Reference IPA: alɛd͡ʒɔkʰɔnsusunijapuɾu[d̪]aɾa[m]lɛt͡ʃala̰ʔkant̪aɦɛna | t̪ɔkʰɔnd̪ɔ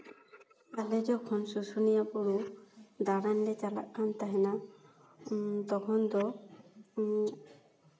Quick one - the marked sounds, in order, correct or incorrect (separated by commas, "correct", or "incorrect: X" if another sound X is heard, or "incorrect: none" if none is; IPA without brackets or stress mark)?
correct, incorrect: n